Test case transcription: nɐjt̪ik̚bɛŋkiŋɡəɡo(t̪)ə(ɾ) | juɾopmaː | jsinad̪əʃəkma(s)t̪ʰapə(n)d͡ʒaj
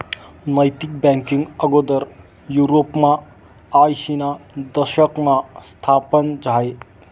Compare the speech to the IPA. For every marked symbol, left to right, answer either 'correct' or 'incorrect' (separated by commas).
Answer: incorrect, correct, correct, correct